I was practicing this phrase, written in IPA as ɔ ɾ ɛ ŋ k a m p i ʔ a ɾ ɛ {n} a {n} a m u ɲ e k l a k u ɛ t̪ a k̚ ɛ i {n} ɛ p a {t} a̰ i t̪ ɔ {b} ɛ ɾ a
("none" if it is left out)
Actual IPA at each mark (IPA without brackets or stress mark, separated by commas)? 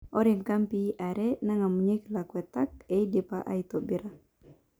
n, ŋ, d, ʔ, b